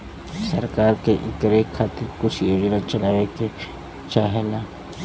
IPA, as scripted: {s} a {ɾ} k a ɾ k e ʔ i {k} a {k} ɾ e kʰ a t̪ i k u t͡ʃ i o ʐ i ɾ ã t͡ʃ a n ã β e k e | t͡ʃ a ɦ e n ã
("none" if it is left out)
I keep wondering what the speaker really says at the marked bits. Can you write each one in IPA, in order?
s, ɾ, k, none

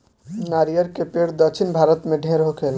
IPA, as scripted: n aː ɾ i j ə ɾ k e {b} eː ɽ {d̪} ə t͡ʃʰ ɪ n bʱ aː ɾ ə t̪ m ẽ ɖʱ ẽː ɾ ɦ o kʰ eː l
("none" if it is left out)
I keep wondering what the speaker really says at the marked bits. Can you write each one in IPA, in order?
p, d̪

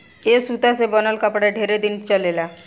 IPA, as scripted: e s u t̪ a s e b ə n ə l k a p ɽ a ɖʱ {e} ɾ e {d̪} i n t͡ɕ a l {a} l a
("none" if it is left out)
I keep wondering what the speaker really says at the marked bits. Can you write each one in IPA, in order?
e, d̪, e

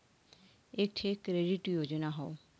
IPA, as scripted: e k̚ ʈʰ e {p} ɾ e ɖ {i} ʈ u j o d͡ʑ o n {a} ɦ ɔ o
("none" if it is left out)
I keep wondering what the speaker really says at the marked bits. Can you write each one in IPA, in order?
k, i, a

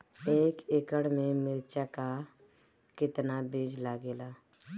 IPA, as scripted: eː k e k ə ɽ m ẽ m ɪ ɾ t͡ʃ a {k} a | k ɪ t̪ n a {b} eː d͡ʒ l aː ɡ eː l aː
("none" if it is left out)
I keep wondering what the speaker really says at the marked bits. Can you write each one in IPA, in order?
k, b

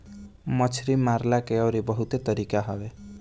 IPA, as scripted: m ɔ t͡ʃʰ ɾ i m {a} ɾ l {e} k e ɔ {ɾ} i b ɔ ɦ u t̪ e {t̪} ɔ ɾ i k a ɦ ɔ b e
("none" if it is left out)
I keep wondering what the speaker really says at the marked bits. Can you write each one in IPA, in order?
a, a, ɾ, t̪

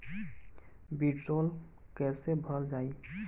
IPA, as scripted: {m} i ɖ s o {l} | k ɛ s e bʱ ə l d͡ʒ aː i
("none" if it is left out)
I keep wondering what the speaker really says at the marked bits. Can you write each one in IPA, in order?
b, l

